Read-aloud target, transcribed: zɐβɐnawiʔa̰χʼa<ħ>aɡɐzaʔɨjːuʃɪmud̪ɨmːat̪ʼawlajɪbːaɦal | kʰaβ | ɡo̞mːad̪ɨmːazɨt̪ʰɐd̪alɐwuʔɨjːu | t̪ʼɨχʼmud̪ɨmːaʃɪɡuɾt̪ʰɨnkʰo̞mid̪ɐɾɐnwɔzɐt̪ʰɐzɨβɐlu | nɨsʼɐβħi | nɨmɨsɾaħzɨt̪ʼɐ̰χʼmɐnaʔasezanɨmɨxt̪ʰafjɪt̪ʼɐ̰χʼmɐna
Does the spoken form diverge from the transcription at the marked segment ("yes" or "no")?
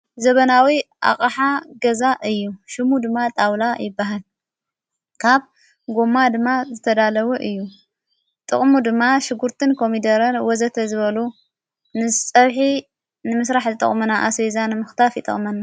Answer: no